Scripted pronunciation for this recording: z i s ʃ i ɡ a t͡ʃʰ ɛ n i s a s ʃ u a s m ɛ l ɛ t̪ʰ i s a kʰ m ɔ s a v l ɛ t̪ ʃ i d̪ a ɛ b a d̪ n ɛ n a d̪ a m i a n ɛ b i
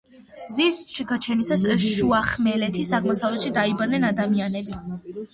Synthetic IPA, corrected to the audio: z i s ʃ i ɡ a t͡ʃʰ ɛ n i s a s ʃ u a χ m ɛ l ɛ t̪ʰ i s a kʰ m ɔ s a v l ɛ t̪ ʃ i d̪ a i b a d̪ n ɛ n a d̪ a m i a n ɛ b i